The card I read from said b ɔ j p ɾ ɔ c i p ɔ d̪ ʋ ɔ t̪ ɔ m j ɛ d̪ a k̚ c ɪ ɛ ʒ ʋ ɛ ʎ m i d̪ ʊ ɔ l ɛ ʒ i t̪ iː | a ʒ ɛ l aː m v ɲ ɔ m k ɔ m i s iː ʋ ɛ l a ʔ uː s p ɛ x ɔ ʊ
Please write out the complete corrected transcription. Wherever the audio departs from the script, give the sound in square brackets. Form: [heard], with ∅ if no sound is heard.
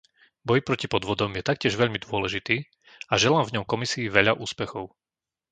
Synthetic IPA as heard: b ɔ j p ɾ ɔ c i p ɔ d̪ ʋ ɔ [d̪] ɔ m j ɛ [t̪] a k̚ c ɪ ɛ ʒ ʋ ɛ ʎ m i d̪ ʊ ɔ l ɛ ʒ i t̪ iː | a ʒ ɛ l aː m v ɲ ɔ m k ɔ m i s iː ʋ ɛ [ʎ] a ʔ uː s p ɛ x ɔ ʊ